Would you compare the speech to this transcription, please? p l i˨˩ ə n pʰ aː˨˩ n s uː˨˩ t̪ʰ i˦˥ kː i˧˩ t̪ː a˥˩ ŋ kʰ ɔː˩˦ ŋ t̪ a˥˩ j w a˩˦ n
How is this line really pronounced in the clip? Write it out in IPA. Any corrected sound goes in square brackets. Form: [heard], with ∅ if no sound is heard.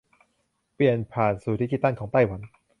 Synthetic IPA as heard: p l i˨˩ ə n pʰ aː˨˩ n s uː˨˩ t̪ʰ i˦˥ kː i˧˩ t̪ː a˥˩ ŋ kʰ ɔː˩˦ ŋ t̪ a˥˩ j w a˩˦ n